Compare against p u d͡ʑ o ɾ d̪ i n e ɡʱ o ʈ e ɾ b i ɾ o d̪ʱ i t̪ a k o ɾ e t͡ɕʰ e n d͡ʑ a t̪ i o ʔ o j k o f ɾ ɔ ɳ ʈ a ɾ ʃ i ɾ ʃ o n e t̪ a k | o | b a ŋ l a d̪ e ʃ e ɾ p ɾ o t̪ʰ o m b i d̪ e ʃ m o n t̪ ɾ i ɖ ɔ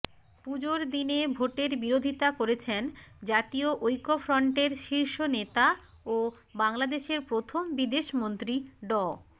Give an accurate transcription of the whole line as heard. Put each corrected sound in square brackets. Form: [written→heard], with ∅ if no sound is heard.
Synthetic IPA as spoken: p u d͡ʑ o ɾ d̪ i n e [ɡʱ→bʱ] o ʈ e ɾ b i ɾ o d̪ʱ i t̪ a k o ɾ e t͡ɕʰ e n d͡ʑ a t̪ i o ʔ o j k o f ɾ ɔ ɳ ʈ [a→e] ɾ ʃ i ɾ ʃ o n e t̪ a [k→∅] | o | b a ŋ l a d̪ e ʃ e ɾ p ɾ o t̪ʰ o m b i d̪ e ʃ m o n t̪ ɾ i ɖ ɔ